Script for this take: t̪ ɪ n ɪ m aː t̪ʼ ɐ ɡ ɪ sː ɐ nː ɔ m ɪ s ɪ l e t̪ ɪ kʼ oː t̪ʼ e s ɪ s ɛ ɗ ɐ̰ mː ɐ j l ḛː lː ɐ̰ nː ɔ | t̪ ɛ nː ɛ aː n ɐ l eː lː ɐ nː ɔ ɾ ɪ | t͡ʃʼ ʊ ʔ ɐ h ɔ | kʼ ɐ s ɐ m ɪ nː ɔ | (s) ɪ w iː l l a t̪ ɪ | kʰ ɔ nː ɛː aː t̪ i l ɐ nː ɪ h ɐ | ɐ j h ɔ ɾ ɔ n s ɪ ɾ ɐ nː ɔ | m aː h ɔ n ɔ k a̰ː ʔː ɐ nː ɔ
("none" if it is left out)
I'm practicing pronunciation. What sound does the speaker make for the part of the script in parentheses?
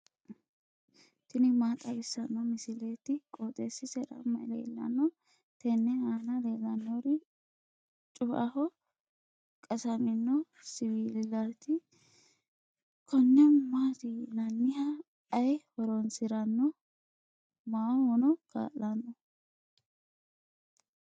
s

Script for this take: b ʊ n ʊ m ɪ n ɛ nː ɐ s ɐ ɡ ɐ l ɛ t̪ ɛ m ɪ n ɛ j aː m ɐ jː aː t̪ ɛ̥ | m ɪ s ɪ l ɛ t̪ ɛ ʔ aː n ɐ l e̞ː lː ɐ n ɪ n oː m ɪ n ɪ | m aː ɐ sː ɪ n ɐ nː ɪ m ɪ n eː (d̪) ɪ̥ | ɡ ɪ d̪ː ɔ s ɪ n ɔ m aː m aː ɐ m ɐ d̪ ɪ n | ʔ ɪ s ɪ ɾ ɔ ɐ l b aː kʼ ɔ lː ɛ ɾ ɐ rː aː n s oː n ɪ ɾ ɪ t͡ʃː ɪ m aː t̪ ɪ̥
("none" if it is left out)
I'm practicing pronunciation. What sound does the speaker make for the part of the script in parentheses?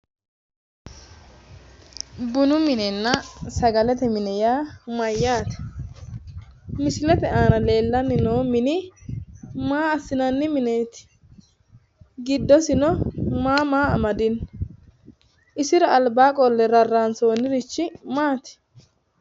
t̪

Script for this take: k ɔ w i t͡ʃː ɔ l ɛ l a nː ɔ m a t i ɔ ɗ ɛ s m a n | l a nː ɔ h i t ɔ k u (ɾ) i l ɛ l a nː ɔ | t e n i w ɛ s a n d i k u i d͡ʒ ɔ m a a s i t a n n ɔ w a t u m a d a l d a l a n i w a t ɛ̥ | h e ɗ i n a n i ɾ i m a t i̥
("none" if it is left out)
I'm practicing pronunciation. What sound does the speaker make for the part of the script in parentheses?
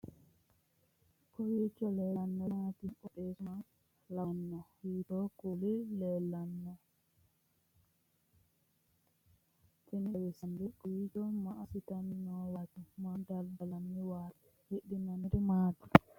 l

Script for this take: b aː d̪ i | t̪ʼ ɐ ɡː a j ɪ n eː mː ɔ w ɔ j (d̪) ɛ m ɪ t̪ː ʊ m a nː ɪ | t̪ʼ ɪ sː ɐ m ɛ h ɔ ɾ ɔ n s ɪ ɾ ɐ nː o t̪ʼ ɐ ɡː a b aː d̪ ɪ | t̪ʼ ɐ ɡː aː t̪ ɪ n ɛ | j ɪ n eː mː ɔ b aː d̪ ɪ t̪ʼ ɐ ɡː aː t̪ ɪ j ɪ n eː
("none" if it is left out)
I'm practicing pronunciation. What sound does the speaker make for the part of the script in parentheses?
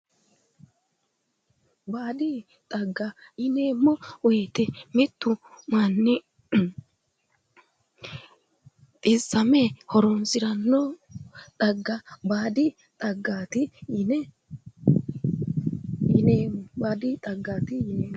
t̪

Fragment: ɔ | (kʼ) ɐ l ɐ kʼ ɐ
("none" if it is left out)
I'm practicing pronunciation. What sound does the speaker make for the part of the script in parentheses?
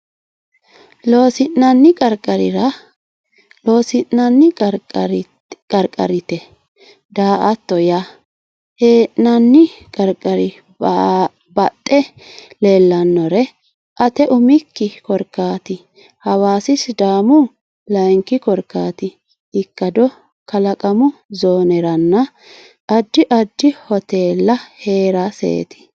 k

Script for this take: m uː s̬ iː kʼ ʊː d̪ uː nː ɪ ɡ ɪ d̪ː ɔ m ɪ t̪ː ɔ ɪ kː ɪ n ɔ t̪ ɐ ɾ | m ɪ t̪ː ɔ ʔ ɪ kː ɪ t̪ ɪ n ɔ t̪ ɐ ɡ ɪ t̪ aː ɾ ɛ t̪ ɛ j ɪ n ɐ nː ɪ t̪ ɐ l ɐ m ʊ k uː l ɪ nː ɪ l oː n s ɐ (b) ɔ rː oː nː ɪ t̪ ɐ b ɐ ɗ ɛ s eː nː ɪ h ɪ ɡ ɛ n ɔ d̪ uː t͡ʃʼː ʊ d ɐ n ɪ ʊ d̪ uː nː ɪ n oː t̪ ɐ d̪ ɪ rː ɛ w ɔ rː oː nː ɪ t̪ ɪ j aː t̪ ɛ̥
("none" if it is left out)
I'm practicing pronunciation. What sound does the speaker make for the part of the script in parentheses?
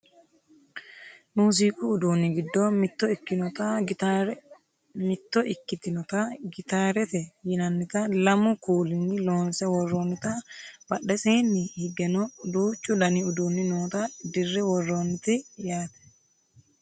w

